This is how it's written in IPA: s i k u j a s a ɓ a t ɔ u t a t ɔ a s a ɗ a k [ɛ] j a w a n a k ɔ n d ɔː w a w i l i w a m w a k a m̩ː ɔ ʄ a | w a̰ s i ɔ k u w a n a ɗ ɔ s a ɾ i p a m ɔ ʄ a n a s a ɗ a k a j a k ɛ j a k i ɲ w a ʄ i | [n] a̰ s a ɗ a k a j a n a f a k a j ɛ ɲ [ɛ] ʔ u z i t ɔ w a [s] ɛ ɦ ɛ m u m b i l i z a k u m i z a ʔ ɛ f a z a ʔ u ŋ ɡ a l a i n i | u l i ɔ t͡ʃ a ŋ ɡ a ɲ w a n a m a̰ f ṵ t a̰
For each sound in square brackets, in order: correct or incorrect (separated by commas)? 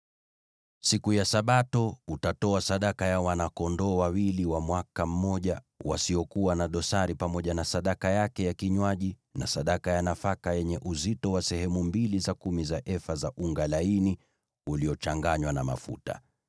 incorrect, correct, correct, correct